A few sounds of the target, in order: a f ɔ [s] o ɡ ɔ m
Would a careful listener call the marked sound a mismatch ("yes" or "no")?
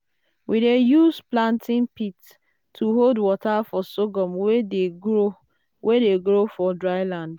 no